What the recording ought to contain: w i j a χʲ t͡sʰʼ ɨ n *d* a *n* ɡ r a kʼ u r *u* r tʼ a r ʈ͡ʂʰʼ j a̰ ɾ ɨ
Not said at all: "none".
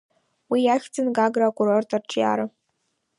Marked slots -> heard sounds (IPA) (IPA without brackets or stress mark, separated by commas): ɡ, none, o